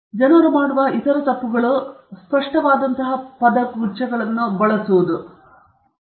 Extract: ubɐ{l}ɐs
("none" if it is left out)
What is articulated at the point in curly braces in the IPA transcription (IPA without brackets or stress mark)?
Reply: ɭ